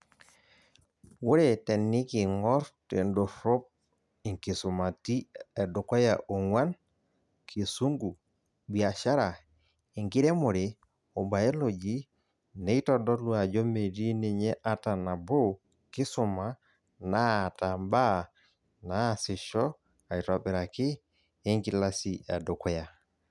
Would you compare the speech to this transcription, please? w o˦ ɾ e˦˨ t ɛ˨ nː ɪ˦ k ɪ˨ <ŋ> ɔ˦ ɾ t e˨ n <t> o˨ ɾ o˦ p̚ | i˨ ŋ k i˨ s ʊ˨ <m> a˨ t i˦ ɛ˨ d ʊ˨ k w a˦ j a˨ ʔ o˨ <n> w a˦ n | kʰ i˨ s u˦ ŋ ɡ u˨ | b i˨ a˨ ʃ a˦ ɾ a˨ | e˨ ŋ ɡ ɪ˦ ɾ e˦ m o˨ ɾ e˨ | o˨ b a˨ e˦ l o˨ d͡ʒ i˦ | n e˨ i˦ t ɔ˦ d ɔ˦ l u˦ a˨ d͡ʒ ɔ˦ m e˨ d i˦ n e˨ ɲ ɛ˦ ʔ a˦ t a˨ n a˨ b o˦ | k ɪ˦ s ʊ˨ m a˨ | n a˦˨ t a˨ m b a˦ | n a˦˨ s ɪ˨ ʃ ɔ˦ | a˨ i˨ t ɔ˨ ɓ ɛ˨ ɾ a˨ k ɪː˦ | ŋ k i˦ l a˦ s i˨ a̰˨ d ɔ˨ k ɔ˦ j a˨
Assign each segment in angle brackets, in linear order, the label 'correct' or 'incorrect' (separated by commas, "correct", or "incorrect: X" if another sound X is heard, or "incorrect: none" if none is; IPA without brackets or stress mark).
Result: correct, incorrect: d, correct, incorrect: ŋ